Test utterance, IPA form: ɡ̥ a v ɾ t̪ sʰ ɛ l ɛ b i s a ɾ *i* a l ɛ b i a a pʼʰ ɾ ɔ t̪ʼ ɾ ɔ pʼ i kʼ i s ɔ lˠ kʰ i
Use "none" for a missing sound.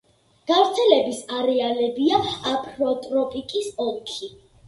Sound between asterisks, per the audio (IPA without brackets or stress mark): ɛ